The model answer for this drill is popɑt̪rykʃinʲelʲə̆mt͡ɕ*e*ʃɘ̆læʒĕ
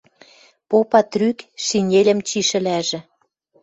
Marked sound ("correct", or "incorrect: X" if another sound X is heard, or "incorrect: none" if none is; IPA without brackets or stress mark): incorrect: i